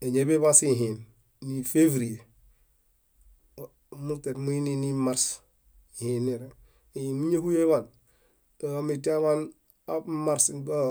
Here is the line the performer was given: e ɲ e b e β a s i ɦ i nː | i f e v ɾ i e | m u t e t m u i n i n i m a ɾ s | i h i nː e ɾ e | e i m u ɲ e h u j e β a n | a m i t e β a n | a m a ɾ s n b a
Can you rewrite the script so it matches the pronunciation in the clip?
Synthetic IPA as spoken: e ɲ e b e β a s i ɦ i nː | i f e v ɾ i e | m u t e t m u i n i n i m a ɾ s | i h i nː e ɾ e | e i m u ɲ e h u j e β a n | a m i t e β a n | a m a ɾ s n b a